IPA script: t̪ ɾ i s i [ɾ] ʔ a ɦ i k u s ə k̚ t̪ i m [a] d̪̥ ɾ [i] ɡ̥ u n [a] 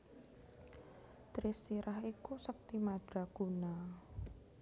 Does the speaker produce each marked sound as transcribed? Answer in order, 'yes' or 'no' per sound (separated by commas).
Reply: yes, yes, no, yes